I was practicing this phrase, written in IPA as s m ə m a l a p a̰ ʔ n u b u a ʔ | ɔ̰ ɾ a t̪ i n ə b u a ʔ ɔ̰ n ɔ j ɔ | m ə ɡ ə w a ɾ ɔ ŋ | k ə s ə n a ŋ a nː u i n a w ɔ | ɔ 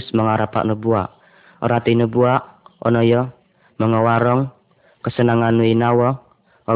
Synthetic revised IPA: s m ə ŋ a ɾ a p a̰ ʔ n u b u a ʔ | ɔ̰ ɾ a t̪ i n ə b u a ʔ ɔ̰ n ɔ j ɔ | m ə ŋ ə w a ɾ ɔ ŋ | k ə s ə n a ŋ a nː u i n a w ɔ | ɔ